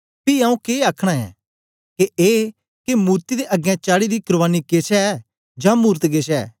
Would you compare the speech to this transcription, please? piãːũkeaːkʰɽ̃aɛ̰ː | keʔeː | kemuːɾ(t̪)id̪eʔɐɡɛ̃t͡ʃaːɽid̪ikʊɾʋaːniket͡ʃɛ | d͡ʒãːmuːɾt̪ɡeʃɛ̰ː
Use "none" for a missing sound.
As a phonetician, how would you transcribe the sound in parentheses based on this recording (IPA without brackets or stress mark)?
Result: t̪